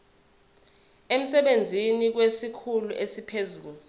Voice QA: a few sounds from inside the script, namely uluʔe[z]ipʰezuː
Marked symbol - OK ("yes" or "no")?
no